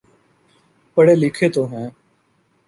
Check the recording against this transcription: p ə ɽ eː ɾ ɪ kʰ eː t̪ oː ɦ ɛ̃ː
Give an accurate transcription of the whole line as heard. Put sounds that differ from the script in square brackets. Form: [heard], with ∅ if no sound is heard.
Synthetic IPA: p ə ɽ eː [l] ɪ kʰ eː t̪ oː ɦ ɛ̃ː